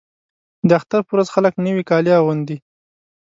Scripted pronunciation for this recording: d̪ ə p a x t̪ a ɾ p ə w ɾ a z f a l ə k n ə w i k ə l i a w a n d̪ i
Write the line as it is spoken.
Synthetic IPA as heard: d̪ ə a x t̪ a ɾ p ə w ɾ a z x a l ə k n ə w i k ɑ l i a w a n d̪ i